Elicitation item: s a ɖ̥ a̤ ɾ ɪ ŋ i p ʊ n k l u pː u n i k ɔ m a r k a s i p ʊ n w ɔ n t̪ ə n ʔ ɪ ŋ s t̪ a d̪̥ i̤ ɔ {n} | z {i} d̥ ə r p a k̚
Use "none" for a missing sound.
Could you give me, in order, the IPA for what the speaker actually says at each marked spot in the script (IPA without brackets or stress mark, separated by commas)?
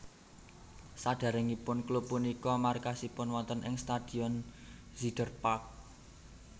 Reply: n, i